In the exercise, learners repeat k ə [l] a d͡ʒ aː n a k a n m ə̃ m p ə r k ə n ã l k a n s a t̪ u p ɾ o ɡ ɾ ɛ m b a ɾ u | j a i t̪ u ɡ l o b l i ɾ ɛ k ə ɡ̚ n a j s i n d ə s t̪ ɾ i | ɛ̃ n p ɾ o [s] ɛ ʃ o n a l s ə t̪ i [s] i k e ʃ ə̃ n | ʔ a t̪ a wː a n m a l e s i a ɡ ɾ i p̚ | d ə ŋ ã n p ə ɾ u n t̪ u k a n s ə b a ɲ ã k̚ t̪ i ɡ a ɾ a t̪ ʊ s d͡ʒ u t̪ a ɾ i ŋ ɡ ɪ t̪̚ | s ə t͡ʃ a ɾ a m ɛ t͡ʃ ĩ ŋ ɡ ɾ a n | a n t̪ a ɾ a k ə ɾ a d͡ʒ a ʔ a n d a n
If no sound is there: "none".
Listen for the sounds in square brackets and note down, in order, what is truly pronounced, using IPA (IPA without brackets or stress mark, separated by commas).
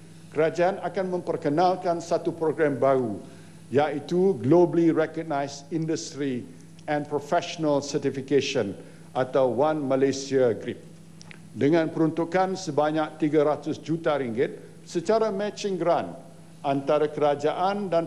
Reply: ɾ, f, f